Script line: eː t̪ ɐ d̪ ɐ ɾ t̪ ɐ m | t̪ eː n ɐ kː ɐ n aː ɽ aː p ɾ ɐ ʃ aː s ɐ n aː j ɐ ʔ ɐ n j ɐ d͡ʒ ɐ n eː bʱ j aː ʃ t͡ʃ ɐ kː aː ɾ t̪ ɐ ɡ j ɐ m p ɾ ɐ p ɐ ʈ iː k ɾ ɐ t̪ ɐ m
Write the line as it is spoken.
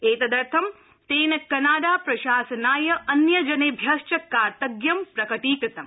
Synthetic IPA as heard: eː t̪ ɐ d̪ ɐ ɾ t̪ʰ ɐ m | t̪ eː n ɐ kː ɐ n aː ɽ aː p ɾ ɐ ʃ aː s ɐ n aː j ɐ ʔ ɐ n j ɐ d͡ʒ ɐ n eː bʱ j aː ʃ t͡ʃ ɐ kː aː ɾ t̪ ɐ ɡ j ɐ m p ɾ ɐ k ɐ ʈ iː k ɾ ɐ t̪ ɐ m